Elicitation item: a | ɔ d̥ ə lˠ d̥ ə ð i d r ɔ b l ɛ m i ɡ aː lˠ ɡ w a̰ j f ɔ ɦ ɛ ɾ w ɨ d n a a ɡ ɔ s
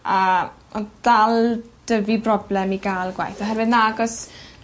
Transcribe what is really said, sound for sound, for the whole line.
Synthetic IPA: a | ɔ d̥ a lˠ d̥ ə v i b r ɔ b l ɛ m i ɡ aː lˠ ɡ w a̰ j θ ɔ ɦ ɛ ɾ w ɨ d n a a ɡ ɔ s